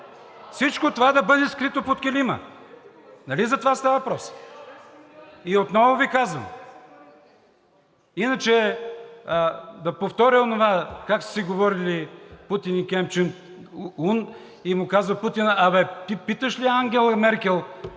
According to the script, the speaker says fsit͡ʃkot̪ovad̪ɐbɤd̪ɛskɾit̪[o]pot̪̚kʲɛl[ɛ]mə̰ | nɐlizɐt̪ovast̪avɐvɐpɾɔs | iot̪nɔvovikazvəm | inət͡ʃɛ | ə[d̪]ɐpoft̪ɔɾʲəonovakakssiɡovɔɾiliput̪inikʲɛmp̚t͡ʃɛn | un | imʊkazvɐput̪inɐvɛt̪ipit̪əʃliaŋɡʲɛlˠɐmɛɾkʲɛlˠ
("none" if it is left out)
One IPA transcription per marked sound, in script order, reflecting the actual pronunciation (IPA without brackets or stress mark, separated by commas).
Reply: o, i, d̪